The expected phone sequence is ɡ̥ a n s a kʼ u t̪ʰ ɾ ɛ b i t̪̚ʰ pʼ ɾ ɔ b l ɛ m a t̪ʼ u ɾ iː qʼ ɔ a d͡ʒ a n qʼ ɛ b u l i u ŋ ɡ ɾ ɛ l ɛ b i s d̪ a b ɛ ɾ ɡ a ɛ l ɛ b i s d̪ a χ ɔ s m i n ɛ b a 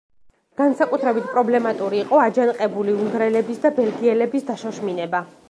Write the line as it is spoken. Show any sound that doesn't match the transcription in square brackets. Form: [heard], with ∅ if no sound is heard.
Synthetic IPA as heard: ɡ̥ a n s a kʼ u t̪ʰ ɾ ɛ b i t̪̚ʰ pʼ ɾ ɔ b l ɛ m a t̪ʼ u ɾ iː qʼ ɔ a d͡ʒ a n qʼ ɛ b u l i u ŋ ɡ ɾ ɛ l ɛ b i s d̪ a b ɛ [l] ɡ [i] ɛ l ɛ b i s d̪ a [ʃ] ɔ [ʃ] m i n ɛ b a

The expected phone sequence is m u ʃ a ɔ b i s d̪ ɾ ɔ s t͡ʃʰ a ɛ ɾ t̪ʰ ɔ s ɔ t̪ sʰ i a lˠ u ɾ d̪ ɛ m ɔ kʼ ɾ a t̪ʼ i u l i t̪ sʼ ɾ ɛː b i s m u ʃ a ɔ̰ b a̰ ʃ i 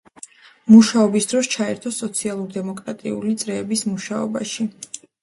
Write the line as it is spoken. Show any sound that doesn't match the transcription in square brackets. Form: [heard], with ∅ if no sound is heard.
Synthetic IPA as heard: m u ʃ a ɔ b i s d̪ ɾ ɔ s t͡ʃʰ a ɛ ɾ t̪ʰ ɔ s ɔ t̪ sʰ i a lˠ u ɾ d̪ ɛ m ɔ kʼ ɾ a t̪ʼ i u l i t̪ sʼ ɾ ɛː b i s m u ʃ a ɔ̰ b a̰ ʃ i

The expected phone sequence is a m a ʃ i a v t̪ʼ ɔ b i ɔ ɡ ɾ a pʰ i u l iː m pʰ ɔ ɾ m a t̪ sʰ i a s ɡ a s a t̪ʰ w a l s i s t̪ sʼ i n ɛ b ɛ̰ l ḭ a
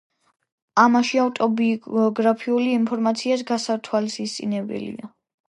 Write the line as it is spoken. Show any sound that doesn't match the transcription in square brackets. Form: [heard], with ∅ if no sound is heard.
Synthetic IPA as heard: a m a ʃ i a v t̪ʼ ɔ b i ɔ ɡ ɾ a pʰ i u l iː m pʰ ɔ ɾ m a t̪ sʰ i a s ɡ a s a t̪ʰ w a l s i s t̪ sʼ i n ɛ b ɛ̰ l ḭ a

